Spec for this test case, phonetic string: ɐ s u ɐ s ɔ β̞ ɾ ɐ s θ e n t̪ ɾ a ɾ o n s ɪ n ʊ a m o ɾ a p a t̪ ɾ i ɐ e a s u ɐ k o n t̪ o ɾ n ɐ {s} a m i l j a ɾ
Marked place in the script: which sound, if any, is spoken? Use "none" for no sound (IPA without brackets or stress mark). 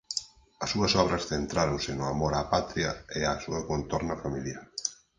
f